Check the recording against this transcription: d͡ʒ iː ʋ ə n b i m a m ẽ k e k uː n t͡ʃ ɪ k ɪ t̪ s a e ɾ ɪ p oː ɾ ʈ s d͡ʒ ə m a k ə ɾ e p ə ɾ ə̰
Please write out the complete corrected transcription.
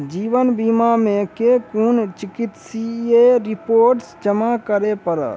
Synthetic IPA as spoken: d͡ʒ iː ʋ ə n b i m a m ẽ k e k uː n t͡ʃ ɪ k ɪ t̪ s i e ɾ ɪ p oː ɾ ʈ s d͡ʒ ə m a k ə ɾ e p ə ɾ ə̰